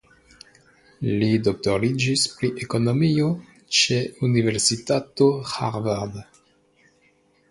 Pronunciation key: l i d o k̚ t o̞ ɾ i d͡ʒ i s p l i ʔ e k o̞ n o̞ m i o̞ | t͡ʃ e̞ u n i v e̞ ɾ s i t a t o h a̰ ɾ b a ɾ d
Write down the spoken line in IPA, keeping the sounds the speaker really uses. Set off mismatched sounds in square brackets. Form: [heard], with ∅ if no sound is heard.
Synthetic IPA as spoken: l i d o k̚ t o̞ ɾ i d͡ʒ i s p [ɾ] i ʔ e k o̞ n o̞ m i o̞ | t͡ʃ e̞ u n i v e̞ ɾ s i t a t o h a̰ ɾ [v] a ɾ d

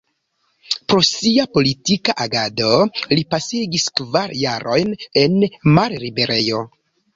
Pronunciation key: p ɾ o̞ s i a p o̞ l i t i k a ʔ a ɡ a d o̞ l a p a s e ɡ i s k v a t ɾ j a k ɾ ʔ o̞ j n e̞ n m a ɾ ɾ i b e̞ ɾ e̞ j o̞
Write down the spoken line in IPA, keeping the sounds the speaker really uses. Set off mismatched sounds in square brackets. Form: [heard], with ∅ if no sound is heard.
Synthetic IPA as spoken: p ɾ o̞ s i a p o̞ l i t i k a ʔ a ɡ a d o̞ l [i] p a s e ɡ i s k v a [∅] ɾ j a [∅] ɾ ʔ o̞ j n e̞ n m a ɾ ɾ i b e̞ ɾ e̞ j o̞

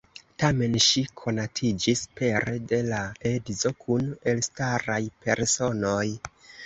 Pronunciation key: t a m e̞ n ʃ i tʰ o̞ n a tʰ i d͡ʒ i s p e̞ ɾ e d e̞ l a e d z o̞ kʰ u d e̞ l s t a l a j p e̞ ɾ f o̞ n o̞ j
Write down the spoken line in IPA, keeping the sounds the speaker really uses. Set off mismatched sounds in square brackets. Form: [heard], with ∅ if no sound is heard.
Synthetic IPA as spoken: t a m e̞ n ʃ i [kʰ] o̞ n a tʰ i d͡ʒ i s p e̞ ɾ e d e̞ l a e d z o̞ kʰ u [n] e̞ l s t a [ɾ] a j p e̞ ɾ [s] o̞ n o̞ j

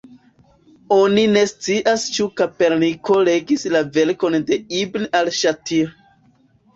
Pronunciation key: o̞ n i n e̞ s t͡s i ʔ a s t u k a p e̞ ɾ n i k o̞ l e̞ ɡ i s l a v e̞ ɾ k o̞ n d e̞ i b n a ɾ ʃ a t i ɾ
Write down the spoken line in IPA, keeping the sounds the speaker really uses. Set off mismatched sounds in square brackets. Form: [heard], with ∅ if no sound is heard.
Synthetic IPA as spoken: o̞ n i n e̞ s t͡s i ʔ a s [t͡ʃ] u k a p e̞ ɾ n i k o̞ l e̞ ɡ i s l a v e̞ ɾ k o̞ n d e̞ i b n a [l] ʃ a t i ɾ

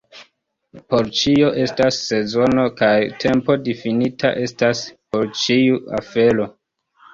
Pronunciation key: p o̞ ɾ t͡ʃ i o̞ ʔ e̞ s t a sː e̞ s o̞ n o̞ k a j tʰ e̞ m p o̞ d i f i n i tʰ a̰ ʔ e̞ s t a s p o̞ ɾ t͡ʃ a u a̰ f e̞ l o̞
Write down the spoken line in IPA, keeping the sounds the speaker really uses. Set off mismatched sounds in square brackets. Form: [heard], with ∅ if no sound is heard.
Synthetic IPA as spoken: p o̞ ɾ t͡ʃ i o̞ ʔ e̞ s t a sː e̞ [z] o̞ n o̞ k a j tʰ e̞ m p o̞ d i f i n i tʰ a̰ ʔ e̞ s t a s p o̞ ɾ t͡ʃ [i] u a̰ f e̞ l o̞

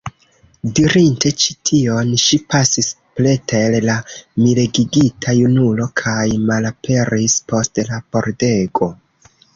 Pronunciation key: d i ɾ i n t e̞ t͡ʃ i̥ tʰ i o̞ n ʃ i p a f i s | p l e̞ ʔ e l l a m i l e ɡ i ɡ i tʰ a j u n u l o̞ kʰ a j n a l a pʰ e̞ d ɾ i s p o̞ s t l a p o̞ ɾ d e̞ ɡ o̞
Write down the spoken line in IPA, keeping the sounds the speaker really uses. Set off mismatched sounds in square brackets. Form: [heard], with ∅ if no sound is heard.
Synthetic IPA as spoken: d i ɾ i n t e̞ t͡ʃ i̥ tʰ i o̞ n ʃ i p a [s] i s | p l e̞ [t] e l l a m i l e ɡ i ɡ i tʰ a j u n u l o̞ kʰ a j [m] a l a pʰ e̞ [∅] ɾ i s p o̞ s t l a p o̞ ɾ d e̞ ɡ o̞

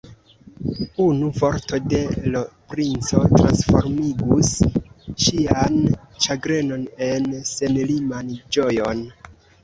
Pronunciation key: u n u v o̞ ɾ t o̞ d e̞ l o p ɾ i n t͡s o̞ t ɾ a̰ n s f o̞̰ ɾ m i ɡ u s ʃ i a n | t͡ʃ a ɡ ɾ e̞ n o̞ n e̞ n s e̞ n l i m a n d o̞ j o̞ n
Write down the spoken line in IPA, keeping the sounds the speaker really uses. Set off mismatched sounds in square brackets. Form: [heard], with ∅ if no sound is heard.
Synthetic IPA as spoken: u n u v o̞ ɾ t o̞ d e̞ l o p ɾ i n t͡s o̞ t ɾ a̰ n s f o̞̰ ɾ m i ɡ u s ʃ i a n | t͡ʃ a ɡ ɾ e̞ n o̞ n e̞ n s e̞ n l i m a n [d͡ʒ] o̞ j o̞ n

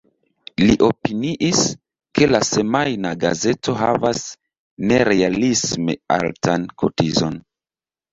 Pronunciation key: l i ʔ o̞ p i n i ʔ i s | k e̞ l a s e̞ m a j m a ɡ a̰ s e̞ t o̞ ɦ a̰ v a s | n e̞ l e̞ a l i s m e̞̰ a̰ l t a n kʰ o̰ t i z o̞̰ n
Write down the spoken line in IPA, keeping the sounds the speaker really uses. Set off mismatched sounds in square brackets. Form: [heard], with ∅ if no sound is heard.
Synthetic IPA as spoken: l i ʔ o̞ p i n i ʔ i s | k e̞ l a s e̞ m a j [n] a ɡ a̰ [z] e̞ t o̞ ɦ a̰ v a s | n e̞ [ɾ] e̞ a l i s m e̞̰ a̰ l t a n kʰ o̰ t i z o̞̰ n

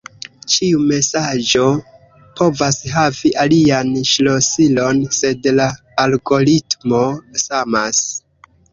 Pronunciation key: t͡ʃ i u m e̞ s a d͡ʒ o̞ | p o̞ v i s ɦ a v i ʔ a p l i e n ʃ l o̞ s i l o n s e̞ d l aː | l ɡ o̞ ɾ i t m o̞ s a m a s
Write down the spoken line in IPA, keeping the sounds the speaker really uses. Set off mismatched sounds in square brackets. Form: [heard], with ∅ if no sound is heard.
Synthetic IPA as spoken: t͡ʃ i u m e̞ s a d͡ʒ o̞ | p o̞ v [a] s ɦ a v i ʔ a [∅] l i [a] n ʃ l o̞ s i l o n s e̞ d l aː | l ɡ o̞ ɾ i t m o̞ s a m a s

